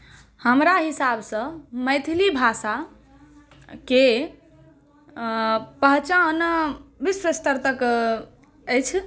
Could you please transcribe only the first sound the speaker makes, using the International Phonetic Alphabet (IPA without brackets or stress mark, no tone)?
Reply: h